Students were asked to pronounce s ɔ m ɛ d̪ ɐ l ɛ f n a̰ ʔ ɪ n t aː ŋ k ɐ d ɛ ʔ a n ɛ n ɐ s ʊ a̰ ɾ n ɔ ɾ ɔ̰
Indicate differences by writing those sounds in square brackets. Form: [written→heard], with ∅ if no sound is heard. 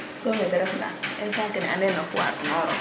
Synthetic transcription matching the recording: s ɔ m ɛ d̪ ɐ [l→ɾ] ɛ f n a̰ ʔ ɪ n [t→s] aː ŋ k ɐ [d→n] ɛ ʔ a n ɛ n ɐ [s→f] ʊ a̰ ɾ n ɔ ɾ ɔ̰